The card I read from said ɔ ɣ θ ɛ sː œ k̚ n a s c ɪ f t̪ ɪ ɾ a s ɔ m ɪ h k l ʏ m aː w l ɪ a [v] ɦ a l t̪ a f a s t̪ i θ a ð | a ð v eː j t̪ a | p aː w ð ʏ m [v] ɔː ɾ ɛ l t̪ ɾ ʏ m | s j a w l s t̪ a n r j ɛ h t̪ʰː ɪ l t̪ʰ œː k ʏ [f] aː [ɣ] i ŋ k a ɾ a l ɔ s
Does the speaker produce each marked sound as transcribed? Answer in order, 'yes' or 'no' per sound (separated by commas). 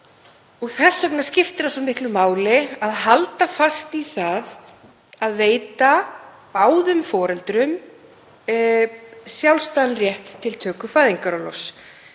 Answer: no, no, yes, no